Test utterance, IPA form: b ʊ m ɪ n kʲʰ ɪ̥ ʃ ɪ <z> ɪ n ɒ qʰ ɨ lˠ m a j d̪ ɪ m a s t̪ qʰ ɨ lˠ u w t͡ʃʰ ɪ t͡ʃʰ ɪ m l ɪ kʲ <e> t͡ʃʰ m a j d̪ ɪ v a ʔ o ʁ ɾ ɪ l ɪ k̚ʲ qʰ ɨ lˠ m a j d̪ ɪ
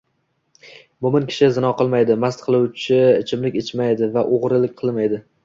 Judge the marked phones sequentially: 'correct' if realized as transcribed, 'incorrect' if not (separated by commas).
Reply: correct, correct